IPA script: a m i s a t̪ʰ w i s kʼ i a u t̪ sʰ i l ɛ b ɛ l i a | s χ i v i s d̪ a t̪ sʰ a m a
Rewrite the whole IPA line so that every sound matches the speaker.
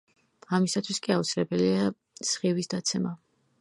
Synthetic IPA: a m i s a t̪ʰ w i s kʼ i a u t̪ sʰ i l ɛ b ɛ l i a | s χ i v i s d̪ a t̪ sʰ ɛ m a